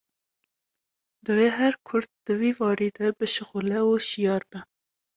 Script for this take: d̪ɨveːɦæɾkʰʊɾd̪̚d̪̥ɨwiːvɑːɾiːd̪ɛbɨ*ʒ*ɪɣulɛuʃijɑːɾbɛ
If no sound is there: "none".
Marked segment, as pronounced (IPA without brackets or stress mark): ʃ